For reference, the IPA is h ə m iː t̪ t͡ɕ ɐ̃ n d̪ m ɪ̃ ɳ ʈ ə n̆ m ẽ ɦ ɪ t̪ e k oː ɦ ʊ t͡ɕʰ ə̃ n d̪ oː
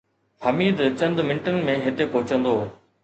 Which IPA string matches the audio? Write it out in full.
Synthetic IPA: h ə m iː d̪ t͡ɕ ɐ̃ n d̪ m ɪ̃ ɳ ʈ ə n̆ m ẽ ɦ ɪ t̪ e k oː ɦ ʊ t͡ɕ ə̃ n d̪ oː

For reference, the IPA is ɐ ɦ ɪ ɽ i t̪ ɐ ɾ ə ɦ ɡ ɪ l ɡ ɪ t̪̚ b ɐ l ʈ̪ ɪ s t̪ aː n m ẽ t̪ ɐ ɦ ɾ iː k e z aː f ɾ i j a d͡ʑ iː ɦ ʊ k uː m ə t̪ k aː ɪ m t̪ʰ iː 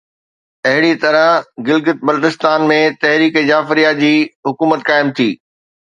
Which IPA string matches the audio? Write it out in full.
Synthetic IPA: ɐ ɦ ɪ ɽ i t̪ ɐ ɾ ə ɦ ɡ ɪ l ɡ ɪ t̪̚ b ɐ l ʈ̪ ɪ s t̪ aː n m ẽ t̪ ɐ ɦ ɾ iː k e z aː f ɾ i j a d͡ʑ iː ɦ ʊ k uː m ə t̪ k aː ɪ m t̪ʰ iː

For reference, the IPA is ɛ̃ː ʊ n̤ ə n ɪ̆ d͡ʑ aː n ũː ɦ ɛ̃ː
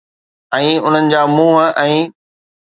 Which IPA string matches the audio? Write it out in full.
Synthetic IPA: ɛ̃ː ʊ n̤ ə n ɪ̆ d͡ʑ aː m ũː ɦ ɛ̃ː

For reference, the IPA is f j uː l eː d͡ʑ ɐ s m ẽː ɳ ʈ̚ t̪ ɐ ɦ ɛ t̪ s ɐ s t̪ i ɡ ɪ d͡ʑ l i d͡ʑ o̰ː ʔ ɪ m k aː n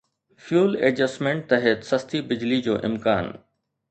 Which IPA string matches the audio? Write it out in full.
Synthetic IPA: f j uː l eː d͡ʑ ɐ s m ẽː ɳ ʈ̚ t̪ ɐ ɦ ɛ t̪ s ɐ s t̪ i b ɪ d͡ʑ l i d͡ʑ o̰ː ʔ ɪ m k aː n

